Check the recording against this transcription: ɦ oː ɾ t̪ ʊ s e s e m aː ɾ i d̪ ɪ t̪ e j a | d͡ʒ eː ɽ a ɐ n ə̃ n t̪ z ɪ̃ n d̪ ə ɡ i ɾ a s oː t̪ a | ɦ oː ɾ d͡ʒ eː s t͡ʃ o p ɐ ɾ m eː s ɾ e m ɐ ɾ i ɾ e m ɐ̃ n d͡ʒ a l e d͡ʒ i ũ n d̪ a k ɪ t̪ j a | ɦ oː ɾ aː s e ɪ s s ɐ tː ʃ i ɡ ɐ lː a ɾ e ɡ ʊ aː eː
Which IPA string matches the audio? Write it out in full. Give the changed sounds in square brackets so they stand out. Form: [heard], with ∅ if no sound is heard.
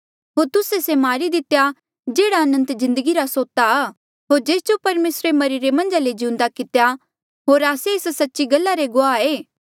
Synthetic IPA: ɦ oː ɾ t̪ ʊ s e s e m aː ɾ i d̪ ɪ t̪ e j a | d͡ʒ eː ɽ a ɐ n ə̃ n t̪ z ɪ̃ n d̪ ə ɡ i ɾ a s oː t̪ a | ɦ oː ɾ d͡ʒ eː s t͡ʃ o p ɐ ɾ m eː s ɾ e m ɐ ɾ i ɾ e m ɐ̃ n d͡ʒ a l e d͡ʒ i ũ n d̪ a k ɪ t̪ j a | ɦ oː ɾ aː s e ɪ s s ɐ tː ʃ i ɡ ɐ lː a ɾ e ɡ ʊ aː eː